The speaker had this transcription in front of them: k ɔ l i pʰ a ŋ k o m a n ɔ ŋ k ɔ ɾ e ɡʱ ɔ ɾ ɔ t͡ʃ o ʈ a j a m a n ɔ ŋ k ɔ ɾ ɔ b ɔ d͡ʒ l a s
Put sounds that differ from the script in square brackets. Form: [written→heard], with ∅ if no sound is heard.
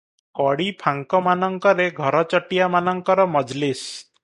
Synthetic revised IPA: k ɔ [l→ɽ] i pʰ a ŋ k [o→ɔ] m a n ɔ ŋ k ɔ ɾ e ɡʱ ɔ ɾ ɔ t͡ʃ [o→ɔ] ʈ [a→i] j a m a n ɔ ŋ k ɔ ɾ ɔ [b→m] ɔ d͡ʒ l [a→i] s